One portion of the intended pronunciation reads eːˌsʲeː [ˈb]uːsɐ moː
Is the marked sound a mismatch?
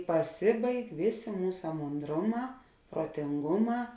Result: yes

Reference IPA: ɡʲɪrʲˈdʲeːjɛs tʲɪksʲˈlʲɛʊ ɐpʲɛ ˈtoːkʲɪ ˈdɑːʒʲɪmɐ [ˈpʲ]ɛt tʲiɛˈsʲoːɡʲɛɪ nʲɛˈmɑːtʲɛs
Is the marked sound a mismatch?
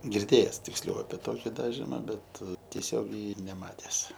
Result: yes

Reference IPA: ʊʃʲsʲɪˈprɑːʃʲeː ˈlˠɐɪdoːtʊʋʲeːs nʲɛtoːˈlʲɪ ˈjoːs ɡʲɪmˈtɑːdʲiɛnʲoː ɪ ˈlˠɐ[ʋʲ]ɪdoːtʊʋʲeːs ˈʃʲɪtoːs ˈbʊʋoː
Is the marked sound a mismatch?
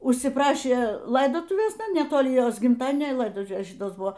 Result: yes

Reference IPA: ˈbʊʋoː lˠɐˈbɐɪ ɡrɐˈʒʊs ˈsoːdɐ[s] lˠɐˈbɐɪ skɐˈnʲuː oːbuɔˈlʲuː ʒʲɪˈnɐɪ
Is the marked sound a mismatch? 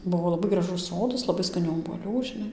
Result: no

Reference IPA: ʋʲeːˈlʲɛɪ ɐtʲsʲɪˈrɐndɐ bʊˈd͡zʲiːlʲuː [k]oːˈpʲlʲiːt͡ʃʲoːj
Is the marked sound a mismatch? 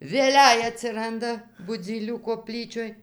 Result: no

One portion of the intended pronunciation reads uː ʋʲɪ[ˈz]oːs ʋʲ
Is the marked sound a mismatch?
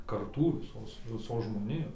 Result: yes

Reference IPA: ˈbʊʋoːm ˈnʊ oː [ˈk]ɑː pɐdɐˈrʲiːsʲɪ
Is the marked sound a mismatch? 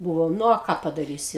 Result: no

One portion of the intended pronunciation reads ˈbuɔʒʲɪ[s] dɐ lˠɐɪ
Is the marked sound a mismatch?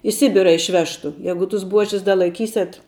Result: no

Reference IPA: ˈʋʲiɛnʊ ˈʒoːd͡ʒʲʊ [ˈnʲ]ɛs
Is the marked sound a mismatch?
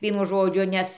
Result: no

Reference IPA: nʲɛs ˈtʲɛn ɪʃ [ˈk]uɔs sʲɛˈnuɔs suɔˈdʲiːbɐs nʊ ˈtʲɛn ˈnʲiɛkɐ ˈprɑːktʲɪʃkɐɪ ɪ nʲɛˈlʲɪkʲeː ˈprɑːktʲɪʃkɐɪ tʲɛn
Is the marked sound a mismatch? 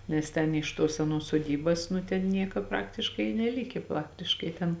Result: yes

